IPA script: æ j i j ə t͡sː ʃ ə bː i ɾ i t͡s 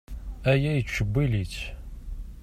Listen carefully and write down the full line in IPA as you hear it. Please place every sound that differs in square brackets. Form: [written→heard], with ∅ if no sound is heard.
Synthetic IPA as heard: æ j [i→æ] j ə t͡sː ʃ ə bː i [ɾ→l] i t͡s